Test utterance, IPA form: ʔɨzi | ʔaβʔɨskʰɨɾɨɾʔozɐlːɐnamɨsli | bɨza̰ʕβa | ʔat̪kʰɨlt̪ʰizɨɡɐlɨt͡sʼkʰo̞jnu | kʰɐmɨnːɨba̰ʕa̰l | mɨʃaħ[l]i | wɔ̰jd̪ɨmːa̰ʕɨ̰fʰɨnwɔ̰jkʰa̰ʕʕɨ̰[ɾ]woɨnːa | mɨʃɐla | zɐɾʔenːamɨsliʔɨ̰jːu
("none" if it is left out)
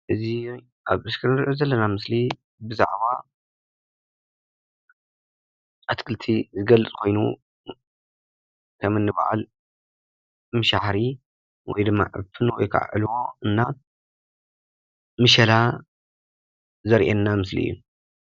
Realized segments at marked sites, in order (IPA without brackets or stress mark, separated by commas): ɾ, l